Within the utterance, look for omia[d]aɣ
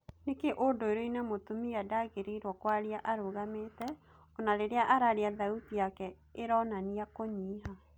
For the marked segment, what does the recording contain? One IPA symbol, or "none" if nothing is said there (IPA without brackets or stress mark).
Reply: d